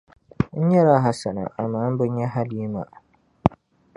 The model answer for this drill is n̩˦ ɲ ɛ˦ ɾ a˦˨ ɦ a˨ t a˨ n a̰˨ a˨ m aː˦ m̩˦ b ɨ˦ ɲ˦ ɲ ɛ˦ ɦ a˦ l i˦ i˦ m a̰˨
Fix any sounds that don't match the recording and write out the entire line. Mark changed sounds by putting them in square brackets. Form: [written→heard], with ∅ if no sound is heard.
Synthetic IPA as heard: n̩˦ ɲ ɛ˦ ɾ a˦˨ ɦ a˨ [t→s] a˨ n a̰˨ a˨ m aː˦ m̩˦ b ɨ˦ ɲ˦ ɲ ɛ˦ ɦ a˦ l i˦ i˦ m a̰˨